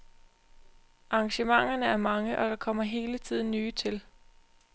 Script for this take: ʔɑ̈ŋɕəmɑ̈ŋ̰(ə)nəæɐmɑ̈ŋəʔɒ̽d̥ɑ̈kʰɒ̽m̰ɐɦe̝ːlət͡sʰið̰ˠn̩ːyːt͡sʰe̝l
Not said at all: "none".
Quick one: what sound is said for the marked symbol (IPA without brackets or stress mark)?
ɐ